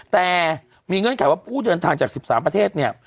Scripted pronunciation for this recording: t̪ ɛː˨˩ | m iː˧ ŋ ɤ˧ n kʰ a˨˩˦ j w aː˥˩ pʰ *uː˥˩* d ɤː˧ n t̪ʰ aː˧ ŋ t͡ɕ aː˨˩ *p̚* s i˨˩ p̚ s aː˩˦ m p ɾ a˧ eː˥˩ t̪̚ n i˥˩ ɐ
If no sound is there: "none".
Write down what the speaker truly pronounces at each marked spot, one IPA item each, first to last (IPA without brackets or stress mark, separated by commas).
uː˥˩, k̚